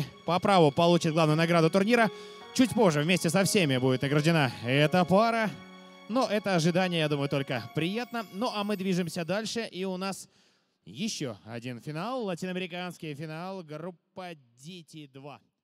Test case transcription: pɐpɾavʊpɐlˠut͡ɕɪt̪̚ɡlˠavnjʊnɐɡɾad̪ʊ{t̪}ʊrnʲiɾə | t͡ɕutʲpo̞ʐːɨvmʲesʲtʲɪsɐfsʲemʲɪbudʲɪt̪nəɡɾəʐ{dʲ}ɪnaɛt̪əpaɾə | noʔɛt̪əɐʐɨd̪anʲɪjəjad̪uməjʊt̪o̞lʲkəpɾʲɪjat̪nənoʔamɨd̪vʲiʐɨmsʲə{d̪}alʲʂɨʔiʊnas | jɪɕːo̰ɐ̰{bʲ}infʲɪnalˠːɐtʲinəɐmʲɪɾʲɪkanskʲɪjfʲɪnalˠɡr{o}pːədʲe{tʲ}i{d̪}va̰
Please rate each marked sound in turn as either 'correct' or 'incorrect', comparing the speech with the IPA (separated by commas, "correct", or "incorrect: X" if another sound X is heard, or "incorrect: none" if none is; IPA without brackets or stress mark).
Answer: correct, correct, correct, incorrect: dʲ, incorrect: u, correct, correct